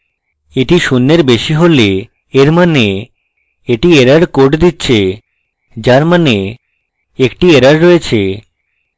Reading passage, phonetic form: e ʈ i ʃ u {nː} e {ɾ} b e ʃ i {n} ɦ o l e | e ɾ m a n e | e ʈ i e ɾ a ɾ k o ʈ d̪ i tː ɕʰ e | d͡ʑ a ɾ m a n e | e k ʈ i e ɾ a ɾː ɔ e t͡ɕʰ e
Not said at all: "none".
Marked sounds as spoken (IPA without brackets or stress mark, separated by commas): nː, ɾ, none